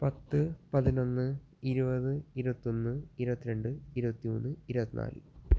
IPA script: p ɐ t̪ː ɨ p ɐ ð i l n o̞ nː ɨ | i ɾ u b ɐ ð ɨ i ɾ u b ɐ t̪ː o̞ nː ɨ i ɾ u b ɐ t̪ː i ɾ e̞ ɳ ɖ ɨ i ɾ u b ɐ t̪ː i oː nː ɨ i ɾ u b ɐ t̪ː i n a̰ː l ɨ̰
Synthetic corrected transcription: p ɐ t̪ː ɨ p ɐ ð i n o̞ nː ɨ | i ɾ u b ɐ ð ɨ i ɾ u b ɐ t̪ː o̞ nː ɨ i ɾ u b ɐ t̪ː i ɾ e̞ ɳ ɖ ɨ i ɾ u b ɐ t̪ː i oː nː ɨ i ɾ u b ɐ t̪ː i n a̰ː l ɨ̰

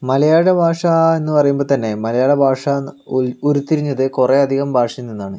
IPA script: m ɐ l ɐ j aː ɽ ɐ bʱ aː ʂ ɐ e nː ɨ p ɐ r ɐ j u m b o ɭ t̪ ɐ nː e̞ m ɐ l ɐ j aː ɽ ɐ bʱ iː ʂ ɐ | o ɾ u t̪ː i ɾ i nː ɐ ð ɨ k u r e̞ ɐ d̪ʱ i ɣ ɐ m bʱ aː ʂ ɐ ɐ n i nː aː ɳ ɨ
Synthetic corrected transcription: m ɐ l ɐ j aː ɽ ɐ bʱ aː ʂ ɐ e nː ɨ p ɐ r ɐ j u m b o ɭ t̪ ɐ nː e̞ m ɐ l ɐ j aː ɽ ɐ bʱ aː ʂ ɐ | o ɾ u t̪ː i ɾ i ɲː ɐ ð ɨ k u r e̞ ɐ d̪ʱ i ɣ ɐ m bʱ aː ʂ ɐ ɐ n i nː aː ɳ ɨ

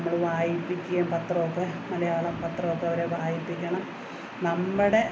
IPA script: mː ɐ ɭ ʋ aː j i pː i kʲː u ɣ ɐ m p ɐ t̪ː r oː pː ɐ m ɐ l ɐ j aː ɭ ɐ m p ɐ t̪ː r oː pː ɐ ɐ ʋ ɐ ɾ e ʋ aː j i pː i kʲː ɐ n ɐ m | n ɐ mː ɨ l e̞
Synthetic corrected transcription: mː ɐ ɭ ʋ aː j i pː i kʲː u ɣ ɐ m p ɐ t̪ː r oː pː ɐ m ɐ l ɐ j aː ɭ ɐ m p ɐ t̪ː r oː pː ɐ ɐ ʋ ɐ ɾ e ʋ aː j i pː i kʲː ɐ ɳ ɐ m | n ɐ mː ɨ ɽ e̞

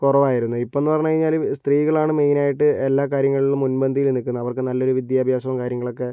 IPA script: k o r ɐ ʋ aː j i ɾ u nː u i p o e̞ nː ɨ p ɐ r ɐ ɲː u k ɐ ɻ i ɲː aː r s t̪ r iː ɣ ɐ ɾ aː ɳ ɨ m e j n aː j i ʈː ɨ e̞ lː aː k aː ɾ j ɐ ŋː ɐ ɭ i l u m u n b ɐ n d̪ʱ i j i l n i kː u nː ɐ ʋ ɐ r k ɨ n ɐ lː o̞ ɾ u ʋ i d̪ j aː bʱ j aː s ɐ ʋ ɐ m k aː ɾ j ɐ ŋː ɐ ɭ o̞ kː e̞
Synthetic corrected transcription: k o r ɐ ʋ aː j i ɾ u nː u i p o e̞ nː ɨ p ɐ r ɐ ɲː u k ɐ ɻ i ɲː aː l s t̪ r iː ɣ ɐ ɭ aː ɳ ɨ m e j n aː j i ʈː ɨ e̞ lː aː k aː ɾ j ɐ ŋː ɐ ɭ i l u m u n b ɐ n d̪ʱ i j i l n i kː u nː ɐ ʋ ɐ r k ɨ n ɐ lː o̞ ɾ u ʋ i d̪ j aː bʱ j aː s ɐ ʋ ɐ m k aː ɾ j ɐ ŋː ɐ ɭ o̞ kː e̞

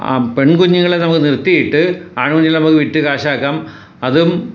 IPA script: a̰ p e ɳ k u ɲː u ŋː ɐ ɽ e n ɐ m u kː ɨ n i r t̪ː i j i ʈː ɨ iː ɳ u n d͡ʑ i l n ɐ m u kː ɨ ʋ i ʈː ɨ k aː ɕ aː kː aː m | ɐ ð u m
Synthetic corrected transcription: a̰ p e ɳ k u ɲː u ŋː ɐ ɭ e n ɐ m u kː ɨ n i r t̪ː i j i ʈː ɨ aː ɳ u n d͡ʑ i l n ɐ m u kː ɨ ʋ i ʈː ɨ k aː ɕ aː kː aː m | ɐ ð u m

